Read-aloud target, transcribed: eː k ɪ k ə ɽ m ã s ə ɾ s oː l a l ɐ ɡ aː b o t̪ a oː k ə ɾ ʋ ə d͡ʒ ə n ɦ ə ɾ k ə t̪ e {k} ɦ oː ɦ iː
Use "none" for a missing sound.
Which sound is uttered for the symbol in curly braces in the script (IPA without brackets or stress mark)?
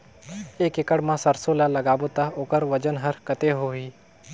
none